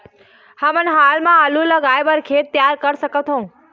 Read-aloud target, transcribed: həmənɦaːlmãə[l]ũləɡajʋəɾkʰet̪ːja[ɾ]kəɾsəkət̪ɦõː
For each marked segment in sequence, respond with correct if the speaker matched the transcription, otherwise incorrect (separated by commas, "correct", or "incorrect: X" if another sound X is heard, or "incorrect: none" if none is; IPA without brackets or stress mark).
correct, correct